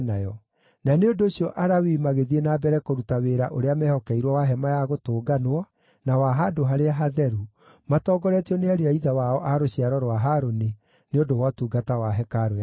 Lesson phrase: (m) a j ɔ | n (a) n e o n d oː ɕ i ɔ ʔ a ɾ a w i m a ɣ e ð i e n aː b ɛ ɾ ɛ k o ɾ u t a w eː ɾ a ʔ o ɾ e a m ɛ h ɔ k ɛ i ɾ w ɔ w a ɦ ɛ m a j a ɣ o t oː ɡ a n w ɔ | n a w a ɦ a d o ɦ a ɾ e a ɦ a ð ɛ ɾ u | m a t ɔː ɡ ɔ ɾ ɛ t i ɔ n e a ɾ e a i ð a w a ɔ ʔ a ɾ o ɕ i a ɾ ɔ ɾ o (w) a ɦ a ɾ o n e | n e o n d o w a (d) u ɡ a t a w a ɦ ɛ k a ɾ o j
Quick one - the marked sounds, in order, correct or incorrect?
incorrect: n, correct, correct, incorrect: t

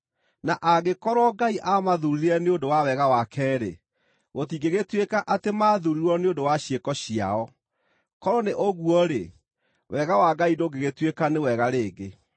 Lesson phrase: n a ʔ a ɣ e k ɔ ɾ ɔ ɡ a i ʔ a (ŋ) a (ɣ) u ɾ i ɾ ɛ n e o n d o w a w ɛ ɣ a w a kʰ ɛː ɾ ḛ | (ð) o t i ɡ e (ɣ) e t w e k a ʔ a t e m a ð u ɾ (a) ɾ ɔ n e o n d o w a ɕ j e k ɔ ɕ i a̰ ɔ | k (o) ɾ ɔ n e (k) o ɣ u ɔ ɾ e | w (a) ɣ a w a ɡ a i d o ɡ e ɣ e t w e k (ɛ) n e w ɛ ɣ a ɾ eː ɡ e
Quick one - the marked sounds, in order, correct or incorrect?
incorrect: m, incorrect: ð, incorrect: ɣ, correct, incorrect: i, incorrect: ɔ, incorrect: ʔ, incorrect: ɛ, incorrect: a

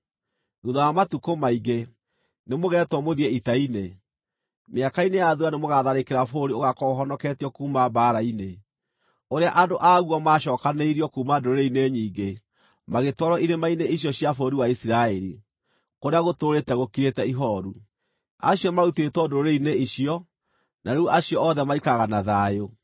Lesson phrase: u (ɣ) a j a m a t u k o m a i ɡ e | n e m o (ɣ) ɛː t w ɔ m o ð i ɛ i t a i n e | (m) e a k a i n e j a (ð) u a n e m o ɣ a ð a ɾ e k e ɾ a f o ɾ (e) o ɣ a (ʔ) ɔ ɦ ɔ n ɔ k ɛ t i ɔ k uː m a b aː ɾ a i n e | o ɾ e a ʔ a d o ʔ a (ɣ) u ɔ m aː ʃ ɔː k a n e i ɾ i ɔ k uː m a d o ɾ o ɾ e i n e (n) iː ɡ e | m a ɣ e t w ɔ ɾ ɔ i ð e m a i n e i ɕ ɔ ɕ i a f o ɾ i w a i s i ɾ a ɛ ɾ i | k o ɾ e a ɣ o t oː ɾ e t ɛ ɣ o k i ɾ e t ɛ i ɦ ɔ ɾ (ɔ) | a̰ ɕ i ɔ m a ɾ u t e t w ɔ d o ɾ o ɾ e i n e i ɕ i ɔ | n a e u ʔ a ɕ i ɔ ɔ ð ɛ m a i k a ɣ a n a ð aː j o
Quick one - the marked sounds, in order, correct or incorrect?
incorrect: ð, correct, correct, correct, incorrect: i, incorrect: k, correct, incorrect: ɲ, incorrect: u

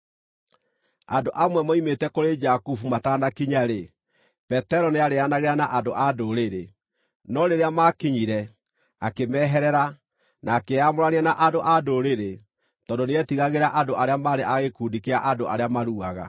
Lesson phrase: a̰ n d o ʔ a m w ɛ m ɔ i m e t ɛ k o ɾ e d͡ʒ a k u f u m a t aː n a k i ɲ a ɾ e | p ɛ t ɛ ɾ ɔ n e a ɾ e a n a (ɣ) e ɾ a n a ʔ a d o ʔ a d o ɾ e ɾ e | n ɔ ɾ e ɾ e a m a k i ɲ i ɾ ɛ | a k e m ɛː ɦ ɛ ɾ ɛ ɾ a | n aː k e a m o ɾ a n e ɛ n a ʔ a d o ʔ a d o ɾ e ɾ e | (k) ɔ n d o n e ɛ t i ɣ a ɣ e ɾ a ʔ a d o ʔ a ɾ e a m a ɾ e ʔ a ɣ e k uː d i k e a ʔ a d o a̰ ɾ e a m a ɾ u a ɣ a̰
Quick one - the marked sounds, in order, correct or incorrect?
correct, incorrect: t

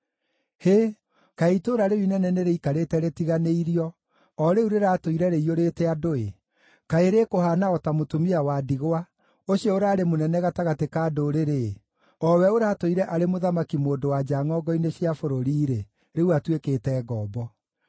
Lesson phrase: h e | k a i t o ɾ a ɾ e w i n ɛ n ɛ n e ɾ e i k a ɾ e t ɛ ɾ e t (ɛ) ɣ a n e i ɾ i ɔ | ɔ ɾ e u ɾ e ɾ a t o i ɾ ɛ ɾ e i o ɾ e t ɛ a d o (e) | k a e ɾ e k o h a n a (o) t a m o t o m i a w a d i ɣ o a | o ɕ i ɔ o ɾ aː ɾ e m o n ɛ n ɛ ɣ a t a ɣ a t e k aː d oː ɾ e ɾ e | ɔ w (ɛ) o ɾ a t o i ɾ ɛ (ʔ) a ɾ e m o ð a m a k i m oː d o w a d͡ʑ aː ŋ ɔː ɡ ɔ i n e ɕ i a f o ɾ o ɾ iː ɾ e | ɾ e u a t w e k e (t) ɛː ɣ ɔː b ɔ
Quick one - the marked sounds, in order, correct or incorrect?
incorrect: i, correct, incorrect: ɔ, correct, correct, correct

